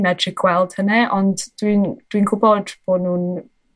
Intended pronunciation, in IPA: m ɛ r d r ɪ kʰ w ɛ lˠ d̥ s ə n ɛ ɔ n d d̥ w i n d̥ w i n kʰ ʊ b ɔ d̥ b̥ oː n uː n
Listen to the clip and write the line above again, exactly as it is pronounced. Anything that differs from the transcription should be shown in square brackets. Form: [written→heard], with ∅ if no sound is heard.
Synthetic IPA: m ɛ [r→∅] d r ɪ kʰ w ɛ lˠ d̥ [s→h] ə n ɛ ɔ n d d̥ w i n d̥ w i n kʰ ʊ b ɔ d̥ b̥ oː n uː n